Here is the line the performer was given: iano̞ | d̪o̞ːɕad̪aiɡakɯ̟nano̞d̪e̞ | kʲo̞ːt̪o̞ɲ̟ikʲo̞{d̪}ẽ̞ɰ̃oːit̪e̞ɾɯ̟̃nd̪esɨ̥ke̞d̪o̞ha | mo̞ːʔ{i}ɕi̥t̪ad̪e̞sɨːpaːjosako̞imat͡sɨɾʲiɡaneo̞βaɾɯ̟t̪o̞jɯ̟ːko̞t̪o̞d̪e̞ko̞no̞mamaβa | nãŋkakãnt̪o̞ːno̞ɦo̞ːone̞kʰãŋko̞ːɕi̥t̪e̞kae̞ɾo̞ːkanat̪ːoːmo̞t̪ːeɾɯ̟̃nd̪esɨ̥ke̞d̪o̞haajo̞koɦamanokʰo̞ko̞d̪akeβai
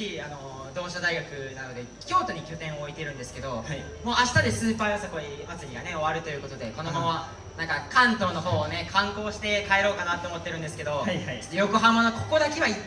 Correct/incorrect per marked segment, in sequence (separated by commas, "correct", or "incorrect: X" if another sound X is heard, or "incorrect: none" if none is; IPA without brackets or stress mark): incorrect: t̪, incorrect: a